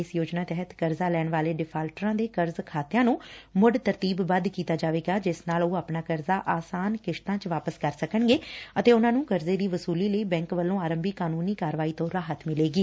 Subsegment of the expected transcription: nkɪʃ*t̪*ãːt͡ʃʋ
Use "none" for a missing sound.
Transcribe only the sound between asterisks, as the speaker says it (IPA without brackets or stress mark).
t̪